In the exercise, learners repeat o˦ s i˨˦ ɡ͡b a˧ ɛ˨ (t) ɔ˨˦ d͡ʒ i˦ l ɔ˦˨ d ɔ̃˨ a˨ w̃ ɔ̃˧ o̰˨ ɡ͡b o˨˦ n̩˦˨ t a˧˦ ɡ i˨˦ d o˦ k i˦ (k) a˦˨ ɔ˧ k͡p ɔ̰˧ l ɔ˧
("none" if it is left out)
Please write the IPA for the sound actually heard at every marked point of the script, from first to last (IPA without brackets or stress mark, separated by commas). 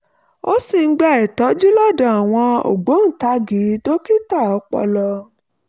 t, t